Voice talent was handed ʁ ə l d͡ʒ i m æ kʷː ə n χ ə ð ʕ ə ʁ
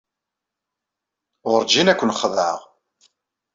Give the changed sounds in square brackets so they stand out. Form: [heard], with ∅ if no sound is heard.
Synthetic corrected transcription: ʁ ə [ɾ] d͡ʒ i [n] æ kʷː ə n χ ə ð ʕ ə ʁ